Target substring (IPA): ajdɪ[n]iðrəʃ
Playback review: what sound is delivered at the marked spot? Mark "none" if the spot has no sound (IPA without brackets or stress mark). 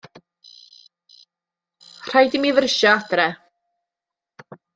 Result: m